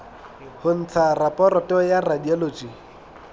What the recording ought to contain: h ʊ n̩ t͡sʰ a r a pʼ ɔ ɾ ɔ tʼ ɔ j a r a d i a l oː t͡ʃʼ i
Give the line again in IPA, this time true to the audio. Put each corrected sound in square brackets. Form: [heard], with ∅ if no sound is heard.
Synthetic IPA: h ʊ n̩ t͡sʰ a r a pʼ ɔ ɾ ɔ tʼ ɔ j a r a d i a l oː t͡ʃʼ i